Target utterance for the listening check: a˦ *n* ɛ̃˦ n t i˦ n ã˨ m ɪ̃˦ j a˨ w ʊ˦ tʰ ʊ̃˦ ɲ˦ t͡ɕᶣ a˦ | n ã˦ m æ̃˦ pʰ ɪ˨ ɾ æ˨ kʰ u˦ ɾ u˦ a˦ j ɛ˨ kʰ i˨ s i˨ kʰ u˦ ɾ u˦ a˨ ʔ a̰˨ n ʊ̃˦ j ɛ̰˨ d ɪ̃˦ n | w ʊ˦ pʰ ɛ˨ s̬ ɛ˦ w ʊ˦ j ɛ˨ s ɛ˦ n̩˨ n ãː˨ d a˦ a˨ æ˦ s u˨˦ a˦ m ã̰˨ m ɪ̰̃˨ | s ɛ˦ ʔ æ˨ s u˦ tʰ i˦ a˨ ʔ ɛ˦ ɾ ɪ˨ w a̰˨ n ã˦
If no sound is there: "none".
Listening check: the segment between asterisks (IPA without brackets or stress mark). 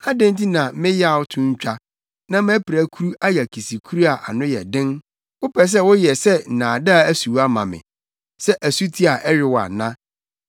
d